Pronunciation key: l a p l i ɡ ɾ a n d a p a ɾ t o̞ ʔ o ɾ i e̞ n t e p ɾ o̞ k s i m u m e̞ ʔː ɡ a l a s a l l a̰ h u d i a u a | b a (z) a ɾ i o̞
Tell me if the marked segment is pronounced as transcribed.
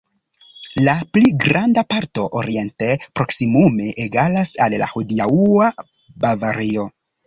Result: no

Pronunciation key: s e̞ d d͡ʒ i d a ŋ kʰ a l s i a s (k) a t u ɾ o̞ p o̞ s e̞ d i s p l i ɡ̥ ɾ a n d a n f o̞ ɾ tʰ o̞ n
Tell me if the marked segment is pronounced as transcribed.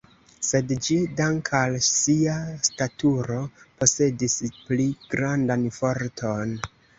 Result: no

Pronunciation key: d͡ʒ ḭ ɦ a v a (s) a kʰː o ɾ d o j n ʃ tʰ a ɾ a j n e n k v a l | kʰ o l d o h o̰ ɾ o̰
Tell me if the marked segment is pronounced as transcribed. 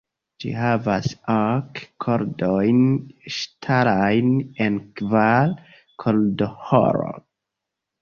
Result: yes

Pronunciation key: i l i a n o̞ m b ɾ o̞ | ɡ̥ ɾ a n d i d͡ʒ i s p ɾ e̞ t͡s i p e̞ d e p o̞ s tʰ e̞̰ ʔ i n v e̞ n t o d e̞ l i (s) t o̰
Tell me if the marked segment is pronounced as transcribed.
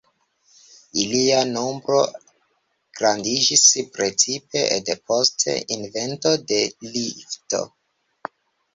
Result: no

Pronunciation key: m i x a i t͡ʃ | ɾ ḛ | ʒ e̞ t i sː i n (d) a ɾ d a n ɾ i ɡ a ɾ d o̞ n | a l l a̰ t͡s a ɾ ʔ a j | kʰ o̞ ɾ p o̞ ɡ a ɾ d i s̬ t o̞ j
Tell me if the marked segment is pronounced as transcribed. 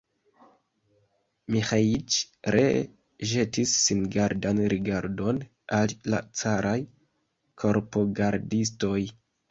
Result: no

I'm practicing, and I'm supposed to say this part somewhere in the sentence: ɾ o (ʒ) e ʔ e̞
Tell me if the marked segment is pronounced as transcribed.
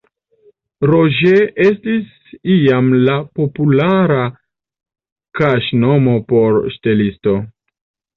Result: yes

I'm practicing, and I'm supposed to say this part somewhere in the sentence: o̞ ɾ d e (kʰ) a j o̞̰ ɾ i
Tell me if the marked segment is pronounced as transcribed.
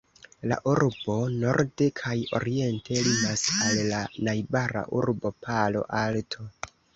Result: yes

